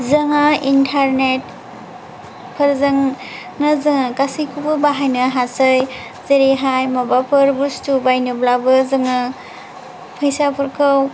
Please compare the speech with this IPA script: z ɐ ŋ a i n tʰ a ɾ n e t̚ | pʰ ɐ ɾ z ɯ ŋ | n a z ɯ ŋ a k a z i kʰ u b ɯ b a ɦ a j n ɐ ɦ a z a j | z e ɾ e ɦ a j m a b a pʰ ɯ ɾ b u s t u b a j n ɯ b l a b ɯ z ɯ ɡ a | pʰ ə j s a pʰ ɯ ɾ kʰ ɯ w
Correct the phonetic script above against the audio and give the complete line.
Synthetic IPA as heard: z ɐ ŋ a i n tʰ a ɾ n e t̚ | pʰ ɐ ɾ z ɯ ŋ | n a z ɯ ŋ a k a s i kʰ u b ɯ b a ɦ a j n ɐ ɦ a s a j | z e ɾ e ɦ a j m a b a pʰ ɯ ɾ b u s t u b a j n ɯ b l a b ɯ z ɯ ŋ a | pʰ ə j s a pʰ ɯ ɾ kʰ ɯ w